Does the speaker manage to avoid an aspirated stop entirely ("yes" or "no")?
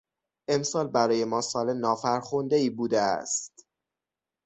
yes